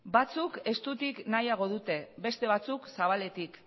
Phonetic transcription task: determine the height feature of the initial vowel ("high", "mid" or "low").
low